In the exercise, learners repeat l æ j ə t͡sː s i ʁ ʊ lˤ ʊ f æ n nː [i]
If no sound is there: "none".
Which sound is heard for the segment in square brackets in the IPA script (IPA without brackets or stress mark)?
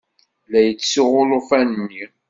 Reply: i